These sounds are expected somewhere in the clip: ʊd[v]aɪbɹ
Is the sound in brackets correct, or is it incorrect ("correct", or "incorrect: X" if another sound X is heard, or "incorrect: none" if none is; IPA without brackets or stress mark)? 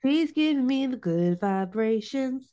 correct